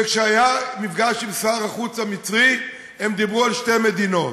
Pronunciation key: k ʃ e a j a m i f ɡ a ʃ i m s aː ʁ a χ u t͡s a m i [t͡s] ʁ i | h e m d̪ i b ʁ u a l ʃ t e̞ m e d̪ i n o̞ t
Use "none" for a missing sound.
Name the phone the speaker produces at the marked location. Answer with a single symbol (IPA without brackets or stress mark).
t͡s